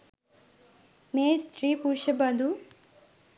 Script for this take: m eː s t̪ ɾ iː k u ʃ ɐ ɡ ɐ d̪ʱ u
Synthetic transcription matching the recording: m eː s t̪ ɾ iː p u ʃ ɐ b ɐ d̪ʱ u